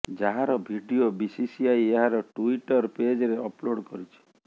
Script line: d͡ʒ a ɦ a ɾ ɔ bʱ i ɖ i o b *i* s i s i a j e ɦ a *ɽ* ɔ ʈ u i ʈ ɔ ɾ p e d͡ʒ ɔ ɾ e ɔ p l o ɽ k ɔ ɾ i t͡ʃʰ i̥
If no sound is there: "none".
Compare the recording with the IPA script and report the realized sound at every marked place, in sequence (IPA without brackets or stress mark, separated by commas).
i, ɾ